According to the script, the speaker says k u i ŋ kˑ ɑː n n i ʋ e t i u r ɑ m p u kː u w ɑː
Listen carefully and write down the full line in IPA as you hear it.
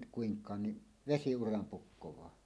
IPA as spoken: k u i ŋ kˑ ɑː n n i ʋ e s i u r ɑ m p u kː o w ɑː